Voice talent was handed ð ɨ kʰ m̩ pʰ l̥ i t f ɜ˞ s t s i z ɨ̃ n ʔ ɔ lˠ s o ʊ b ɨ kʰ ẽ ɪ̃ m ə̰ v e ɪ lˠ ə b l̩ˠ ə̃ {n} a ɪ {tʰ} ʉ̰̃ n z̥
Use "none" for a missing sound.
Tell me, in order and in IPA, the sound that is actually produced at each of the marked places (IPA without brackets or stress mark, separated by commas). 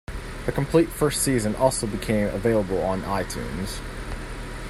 n, tʰ